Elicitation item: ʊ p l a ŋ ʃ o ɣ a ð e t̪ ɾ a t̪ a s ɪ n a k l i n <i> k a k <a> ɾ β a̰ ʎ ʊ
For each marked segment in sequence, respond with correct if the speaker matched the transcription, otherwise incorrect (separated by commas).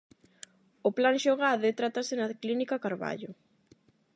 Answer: correct, correct